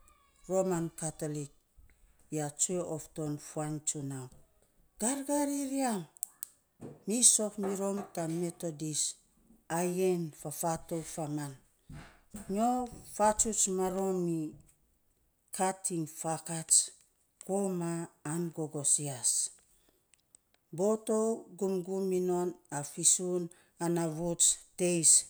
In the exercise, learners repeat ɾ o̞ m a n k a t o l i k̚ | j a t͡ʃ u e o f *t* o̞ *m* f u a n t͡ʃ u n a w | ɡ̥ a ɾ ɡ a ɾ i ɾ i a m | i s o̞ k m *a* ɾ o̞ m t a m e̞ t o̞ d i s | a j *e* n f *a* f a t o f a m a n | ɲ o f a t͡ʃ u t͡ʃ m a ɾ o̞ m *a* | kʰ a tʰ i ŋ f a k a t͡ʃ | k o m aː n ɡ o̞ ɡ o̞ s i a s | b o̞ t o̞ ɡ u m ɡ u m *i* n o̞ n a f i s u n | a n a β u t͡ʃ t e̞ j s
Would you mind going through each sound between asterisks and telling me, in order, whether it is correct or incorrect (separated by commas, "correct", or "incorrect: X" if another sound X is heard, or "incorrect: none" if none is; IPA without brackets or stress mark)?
correct, incorrect: n, incorrect: i, correct, correct, incorrect: i, correct